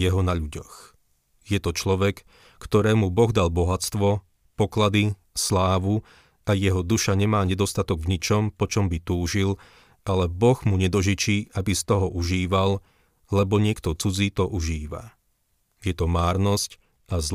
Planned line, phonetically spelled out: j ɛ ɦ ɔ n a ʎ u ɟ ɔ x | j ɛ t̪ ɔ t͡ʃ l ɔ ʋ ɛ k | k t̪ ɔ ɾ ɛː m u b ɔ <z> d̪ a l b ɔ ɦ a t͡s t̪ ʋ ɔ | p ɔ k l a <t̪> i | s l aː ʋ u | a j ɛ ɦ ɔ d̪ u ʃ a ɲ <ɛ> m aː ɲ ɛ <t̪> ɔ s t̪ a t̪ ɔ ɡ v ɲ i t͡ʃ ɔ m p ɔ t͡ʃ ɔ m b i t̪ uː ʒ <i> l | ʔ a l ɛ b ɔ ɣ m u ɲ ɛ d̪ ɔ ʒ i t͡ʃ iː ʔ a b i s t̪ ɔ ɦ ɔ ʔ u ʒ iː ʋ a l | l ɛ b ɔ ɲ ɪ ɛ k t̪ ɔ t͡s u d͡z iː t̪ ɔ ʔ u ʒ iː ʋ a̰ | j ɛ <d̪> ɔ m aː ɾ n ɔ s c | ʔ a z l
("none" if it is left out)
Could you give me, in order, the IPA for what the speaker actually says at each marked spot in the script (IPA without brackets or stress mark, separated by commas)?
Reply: ɣ, d̪, ɛ, d̪, i, t̪